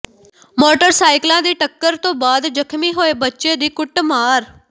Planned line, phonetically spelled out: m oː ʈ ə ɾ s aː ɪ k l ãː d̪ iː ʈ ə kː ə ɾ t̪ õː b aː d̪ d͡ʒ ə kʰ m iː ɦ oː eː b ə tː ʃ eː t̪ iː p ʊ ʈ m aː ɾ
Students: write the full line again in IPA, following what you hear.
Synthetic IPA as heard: m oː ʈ ə ɾ s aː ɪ k l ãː d̪ iː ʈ ə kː ə ɾ t̪ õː b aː d̪ d͡ʒ ə kʰ m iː ɦ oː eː b ə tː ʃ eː d̪ iː k ʊ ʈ m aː ɾ